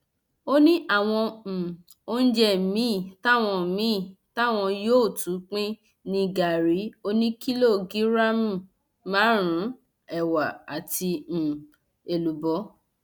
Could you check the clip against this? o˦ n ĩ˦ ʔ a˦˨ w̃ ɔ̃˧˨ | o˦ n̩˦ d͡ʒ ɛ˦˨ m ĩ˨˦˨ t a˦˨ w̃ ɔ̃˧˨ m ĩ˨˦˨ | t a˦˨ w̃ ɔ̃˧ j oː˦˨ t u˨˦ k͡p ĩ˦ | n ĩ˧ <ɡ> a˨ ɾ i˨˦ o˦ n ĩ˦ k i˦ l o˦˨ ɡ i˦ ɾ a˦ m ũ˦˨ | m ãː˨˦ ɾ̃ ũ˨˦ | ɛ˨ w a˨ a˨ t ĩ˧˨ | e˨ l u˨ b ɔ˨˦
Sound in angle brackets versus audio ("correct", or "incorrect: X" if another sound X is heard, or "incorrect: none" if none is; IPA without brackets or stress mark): correct